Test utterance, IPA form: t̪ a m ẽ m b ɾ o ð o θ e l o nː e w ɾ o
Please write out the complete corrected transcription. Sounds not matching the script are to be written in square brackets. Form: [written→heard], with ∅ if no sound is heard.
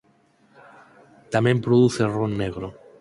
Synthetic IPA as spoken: t̪ a m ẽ m [b→p] ɾ o ð [o→u] θ e [l→r] o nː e [w→ɣ] ɾ o